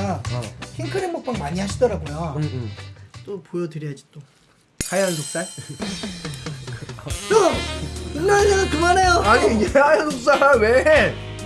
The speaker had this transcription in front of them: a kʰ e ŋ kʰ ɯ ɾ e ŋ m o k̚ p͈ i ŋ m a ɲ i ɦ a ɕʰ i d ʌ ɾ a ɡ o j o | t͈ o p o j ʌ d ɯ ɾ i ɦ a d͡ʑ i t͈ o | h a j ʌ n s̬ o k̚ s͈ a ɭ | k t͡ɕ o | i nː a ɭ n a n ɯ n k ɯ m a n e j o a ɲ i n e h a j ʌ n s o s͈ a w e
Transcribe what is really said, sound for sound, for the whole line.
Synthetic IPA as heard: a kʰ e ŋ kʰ ɯ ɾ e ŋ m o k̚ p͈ a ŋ m a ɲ i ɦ a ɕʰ i d ʌ ɾ a ɡ o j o | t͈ o p o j ʌ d ɯ ɾ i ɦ a d͡ʑ i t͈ o | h a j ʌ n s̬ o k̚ s͈ a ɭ | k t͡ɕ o | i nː a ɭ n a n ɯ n k ɯ m a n e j o a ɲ i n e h a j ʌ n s o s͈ a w e